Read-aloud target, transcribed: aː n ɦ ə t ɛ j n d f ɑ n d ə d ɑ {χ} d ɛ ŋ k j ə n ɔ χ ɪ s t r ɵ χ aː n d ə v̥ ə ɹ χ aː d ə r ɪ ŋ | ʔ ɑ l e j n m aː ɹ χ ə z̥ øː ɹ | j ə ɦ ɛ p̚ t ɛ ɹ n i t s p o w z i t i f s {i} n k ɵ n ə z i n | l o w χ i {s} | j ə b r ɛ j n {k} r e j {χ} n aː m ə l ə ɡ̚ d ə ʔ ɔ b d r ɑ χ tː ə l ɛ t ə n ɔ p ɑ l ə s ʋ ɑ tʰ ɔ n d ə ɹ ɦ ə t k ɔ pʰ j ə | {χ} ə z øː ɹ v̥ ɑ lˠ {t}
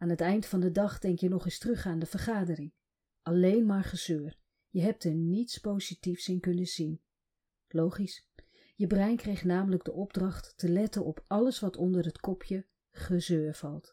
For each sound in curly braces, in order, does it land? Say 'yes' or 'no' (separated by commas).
yes, no, yes, yes, yes, yes, yes